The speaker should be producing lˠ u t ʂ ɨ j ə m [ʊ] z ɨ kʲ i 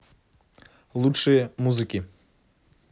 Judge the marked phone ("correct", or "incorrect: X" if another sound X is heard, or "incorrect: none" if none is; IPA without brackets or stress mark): incorrect: u